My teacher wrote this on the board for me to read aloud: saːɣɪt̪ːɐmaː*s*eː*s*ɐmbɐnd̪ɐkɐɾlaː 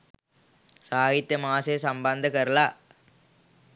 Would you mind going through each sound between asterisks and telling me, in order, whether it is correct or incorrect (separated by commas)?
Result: correct, correct